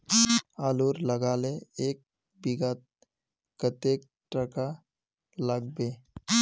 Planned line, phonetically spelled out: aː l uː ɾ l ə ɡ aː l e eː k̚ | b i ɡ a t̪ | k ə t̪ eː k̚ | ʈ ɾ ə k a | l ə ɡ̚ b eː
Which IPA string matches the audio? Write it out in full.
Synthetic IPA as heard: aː l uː ɾ l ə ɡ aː l e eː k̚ | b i ɡ a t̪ | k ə t̪ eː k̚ | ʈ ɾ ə k a | l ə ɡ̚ b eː